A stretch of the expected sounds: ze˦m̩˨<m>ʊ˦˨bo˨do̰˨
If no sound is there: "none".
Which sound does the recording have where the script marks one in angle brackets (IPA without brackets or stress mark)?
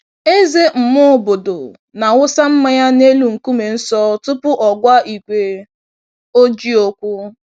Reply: m